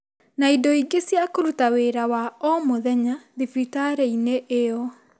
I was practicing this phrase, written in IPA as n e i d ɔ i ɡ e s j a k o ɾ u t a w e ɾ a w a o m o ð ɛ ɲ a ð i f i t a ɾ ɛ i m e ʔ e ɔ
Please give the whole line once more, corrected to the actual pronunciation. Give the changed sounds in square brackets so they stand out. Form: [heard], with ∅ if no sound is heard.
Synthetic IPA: n [a] i d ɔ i ɡ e s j a k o ɾ u t a w e ɾ a w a [ɔ] m o ð ɛ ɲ a ð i f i t a ɾ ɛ i [n] e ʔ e ɔ

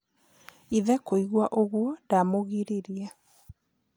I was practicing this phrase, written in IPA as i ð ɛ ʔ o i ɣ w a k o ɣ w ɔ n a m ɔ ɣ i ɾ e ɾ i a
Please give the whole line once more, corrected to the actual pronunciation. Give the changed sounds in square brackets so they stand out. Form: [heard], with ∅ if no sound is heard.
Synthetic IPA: i ð ɛ [k] o i ɣ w a [ʔ] o ɣ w ɔ [d] a m [o] ɣ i ɾ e ɾ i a

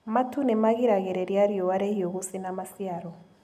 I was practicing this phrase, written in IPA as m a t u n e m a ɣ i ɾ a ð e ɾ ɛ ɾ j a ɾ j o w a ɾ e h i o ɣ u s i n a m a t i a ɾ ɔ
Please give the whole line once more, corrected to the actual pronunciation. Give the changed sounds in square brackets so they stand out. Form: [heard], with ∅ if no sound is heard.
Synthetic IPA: m a t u n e m a ɣ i ɾ a [ɣ] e ɾ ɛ ɾ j a ɾ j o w a ɾ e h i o ɣ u s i n a m a [s] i a ɾ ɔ

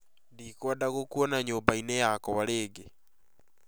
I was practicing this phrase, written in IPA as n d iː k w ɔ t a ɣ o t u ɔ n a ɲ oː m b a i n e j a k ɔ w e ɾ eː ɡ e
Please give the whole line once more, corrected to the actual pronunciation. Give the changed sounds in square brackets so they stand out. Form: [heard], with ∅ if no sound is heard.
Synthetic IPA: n d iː k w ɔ [d] a ɣ o [k] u ɔ n a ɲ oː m b a i n e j a k ɔ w [a] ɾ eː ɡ e

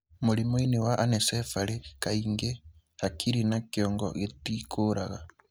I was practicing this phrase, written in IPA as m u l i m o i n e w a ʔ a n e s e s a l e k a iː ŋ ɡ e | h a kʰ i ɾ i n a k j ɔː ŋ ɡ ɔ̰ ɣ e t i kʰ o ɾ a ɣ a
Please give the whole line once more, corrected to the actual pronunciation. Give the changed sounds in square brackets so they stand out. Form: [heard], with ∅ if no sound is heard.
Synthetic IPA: m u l i m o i n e w a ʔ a n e s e [f] a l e k a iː ŋ ɡ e | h a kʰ i ɾ i n a k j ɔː ŋ ɡ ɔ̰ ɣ e t i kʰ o ɾ a ɣ a

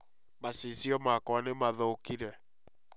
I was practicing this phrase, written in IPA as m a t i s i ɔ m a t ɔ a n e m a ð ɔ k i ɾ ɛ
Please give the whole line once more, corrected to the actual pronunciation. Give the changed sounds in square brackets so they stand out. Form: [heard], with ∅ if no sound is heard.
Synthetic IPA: m a [s] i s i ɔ m a [k] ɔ a n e m a ð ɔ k i ɾ ɛ

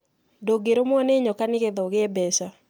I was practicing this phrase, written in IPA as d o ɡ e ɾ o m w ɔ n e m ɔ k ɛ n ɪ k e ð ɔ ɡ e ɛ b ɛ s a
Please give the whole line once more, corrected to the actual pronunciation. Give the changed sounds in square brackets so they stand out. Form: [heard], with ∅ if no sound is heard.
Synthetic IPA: d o ɡ e ɾ o m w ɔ n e [ɲ] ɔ k [a] n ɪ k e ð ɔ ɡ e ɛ b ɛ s a

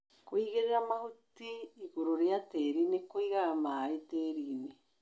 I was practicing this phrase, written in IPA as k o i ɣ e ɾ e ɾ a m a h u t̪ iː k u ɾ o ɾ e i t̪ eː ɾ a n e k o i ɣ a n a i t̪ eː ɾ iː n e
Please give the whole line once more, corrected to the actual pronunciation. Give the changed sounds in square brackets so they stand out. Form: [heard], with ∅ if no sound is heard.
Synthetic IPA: k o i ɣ e ɾ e ɾ a m a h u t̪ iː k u ɾ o ɾ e [a] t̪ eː ɾ [i] n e k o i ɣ a [m] a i t̪ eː ɾ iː n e

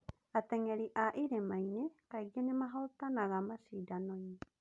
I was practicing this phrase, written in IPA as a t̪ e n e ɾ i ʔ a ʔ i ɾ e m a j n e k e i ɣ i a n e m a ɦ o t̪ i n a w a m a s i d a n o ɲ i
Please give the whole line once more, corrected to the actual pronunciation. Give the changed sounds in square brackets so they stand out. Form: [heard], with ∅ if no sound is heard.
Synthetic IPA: a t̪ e [ŋ] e ɾ i ʔ a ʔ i ɾ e m a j n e k [a] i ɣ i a n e m a ɦ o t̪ [a] n a [ɣ] a m a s i d a n o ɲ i

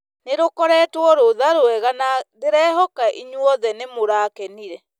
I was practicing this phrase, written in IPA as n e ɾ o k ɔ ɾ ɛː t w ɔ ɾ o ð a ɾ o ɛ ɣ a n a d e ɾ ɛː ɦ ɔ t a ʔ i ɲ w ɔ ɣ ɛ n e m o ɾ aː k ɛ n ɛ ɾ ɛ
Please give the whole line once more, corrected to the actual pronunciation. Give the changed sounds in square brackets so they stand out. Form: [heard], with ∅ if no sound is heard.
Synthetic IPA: n e ɾ o k ɔ ɾ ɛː t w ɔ ɾ o ð a ɾ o ɛ ɣ a n a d e ɾ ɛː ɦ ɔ [k] a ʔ i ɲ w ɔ [ð] ɛ n e m o ɾ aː k ɛ n [i] ɾ ɛ

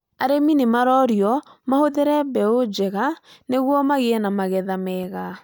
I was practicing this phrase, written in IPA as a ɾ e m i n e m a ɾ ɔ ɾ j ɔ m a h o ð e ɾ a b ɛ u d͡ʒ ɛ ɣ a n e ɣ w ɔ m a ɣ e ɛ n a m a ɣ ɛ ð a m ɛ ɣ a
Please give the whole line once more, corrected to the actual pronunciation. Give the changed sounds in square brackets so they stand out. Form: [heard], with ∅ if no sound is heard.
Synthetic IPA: a ɾ e m i n e m a ɾ ɔ ɾ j ɔ m a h o ð e ɾ [ɛ] b ɛ [o] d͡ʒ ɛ ɣ a n e ɣ w ɔ m a ɣ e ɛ n a m a ɣ ɛ ð a m ɛ ɣ a

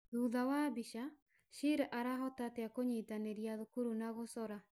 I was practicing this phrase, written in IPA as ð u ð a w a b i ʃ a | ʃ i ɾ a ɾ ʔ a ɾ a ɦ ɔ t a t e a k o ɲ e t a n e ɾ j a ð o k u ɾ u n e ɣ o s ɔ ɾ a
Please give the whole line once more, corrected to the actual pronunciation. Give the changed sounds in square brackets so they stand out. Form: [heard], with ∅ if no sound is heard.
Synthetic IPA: ð u ð a w a b i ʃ a | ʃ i ɾ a [∅] ʔ a ɾ a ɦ ɔ t a t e a k o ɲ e t a n e ɾ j a ð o k u ɾ u n [a] ɣ o s ɔ ɾ a

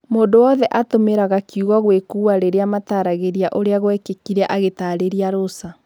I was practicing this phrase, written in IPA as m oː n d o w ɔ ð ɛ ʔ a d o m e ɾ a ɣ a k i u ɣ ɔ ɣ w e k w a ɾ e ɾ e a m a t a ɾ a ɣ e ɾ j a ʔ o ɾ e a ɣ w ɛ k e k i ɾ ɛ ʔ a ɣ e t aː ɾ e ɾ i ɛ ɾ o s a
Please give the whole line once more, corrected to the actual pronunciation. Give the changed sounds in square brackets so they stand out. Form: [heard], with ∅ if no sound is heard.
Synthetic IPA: m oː n d o w ɔ ð ɛ ʔ a [t] o m e ɾ a ɣ a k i u ɣ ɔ ɣ w e k [u] a ɾ e ɾ e a m a t a ɾ a ɣ e ɾ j a ʔ o ɾ e a ɣ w ɛ k e k i ɾ ɛ ʔ a ɣ e t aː ɾ e ɾ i [a] ɾ o s a

